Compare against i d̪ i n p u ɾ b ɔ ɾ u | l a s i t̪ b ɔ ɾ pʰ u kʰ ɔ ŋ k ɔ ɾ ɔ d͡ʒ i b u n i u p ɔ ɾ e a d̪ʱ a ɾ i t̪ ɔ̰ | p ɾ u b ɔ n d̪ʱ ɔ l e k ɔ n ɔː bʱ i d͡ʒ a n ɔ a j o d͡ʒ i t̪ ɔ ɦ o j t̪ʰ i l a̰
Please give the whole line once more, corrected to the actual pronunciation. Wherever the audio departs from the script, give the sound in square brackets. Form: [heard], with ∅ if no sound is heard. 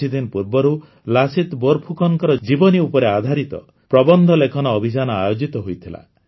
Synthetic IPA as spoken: i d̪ i n p u ɾ b ɔ ɾ u | l a s i t̪ b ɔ ɾ pʰ u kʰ ɔ ŋ k ɔ ɾ ɔ d͡ʒ i b [ɔ] n i u p ɔ ɾ e a d̪ʱ a ɾ i t̪ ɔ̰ | p ɾ [ɔ] b ɔ n d̪ʱ ɔ l e [kʰ] ɔ n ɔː bʱ i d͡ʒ a n ɔ a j o d͡ʒ i t̪ ɔ ɦ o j t̪ʰ i l a̰